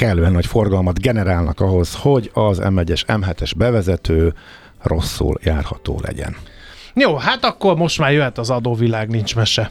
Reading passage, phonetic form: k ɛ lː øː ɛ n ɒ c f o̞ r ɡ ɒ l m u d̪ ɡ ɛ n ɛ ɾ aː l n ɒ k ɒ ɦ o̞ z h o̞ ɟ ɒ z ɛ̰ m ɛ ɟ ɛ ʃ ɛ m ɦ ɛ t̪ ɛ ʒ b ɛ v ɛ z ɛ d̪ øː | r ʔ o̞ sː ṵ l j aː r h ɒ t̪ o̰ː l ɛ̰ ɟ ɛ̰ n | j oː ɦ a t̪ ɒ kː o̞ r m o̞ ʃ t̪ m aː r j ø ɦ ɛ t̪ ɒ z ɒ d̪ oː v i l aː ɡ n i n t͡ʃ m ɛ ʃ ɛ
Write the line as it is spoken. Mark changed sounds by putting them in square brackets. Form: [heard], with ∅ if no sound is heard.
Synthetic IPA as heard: k ɛ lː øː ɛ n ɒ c f o̞ r ɡ ɒ l m [ɒ] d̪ ɡ ɛ n ɛ ɾ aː l n ɒ k ɒ ɦ o̞ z h o̞ ɟ ɒ z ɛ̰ m ɛ ɟ ɛ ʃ ɛ m ɦ ɛ t̪ ɛ ʒ b ɛ v ɛ z ɛ [t̪] øː | r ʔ o̞ sː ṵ l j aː r h ɒ t̪ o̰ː l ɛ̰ ɟ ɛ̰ n | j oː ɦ a t̪ ɒ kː o̞ r m o̞ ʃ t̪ m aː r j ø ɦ ɛ t̪ ɒ z ɒ d̪ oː v i l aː ɡ n i n t͡ʃ m ɛ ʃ ɛ